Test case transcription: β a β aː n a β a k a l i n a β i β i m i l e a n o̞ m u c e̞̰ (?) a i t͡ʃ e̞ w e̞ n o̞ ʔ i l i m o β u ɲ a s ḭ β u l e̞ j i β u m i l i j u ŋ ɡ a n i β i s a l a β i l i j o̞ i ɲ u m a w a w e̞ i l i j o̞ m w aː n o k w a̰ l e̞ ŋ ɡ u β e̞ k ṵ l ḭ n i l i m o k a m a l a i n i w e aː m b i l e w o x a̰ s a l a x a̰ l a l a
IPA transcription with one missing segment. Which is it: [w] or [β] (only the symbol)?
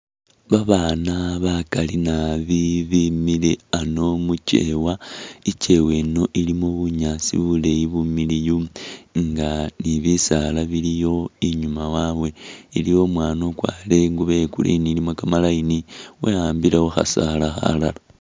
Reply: w